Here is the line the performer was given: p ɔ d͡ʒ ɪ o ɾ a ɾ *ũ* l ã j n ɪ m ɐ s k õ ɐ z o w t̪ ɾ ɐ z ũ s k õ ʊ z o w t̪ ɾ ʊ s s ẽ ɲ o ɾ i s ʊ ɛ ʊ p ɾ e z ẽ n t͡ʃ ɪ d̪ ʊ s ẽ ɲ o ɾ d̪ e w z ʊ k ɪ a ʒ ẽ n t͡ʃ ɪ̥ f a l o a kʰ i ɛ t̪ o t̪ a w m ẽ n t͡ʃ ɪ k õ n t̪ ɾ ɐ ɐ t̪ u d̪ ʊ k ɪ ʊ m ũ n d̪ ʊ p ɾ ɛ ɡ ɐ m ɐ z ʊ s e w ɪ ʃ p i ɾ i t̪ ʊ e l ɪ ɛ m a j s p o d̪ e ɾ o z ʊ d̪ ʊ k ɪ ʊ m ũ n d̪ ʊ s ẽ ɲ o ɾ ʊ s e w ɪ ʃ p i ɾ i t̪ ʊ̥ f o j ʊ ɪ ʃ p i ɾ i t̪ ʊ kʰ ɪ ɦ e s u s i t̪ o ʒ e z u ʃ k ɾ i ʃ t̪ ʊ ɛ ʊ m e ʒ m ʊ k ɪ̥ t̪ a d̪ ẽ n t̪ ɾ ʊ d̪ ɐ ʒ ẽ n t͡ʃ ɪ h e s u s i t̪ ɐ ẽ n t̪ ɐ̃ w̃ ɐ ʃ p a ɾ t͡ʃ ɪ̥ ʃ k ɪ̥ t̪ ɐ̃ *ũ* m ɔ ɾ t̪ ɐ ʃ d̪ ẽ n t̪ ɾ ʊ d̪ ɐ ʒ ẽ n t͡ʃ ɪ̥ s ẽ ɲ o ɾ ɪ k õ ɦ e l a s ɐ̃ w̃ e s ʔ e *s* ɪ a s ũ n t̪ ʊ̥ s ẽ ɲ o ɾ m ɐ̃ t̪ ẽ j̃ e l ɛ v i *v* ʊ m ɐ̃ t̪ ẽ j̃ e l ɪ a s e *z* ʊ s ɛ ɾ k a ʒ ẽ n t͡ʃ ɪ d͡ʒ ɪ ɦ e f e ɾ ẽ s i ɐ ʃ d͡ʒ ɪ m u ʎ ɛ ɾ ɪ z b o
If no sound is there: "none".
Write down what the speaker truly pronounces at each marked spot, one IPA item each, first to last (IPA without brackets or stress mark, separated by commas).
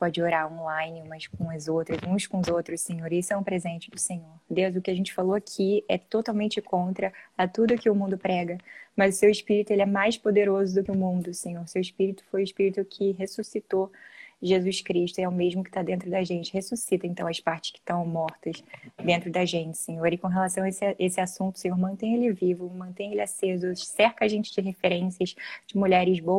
õ, w̃, s, v, z